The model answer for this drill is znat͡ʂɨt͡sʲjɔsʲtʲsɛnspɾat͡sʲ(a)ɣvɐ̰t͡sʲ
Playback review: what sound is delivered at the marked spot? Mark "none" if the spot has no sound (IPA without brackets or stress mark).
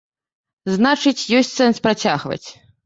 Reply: a